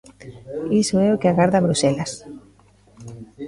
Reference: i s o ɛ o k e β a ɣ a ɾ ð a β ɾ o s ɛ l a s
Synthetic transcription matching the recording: i s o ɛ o k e a ɣ a ɾ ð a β ɾ u s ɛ l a s